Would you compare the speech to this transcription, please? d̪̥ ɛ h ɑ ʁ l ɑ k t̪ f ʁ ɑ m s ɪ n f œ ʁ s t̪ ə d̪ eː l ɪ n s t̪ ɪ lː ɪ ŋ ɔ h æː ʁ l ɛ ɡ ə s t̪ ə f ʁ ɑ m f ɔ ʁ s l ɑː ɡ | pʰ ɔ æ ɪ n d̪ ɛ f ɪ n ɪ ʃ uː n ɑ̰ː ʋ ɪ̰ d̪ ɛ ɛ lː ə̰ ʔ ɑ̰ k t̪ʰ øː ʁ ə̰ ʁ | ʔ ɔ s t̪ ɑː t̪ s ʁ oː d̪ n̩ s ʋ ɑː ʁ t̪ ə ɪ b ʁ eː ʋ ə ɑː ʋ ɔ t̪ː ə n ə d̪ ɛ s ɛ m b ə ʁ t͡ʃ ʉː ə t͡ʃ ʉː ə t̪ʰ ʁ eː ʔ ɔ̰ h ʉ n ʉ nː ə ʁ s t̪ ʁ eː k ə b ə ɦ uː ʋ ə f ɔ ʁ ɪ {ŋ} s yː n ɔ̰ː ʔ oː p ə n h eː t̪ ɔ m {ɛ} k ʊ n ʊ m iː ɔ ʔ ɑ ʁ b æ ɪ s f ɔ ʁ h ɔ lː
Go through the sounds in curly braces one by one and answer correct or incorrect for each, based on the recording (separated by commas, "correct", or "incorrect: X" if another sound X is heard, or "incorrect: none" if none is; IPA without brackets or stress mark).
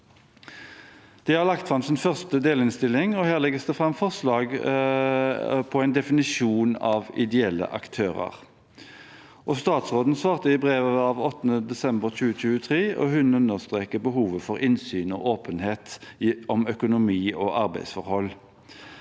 incorrect: n, incorrect: œ